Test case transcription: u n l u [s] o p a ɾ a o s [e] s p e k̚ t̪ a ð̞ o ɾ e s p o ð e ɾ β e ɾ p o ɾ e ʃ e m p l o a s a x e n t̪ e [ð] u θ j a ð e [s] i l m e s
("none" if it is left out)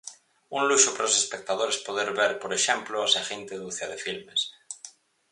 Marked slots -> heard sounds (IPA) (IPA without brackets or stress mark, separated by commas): ʃ, e, ð, f